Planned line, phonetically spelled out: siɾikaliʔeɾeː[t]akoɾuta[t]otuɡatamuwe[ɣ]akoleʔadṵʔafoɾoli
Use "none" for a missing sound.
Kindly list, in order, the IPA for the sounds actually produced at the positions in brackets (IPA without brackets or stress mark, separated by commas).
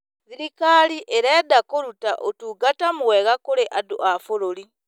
d, ʔ, ɣ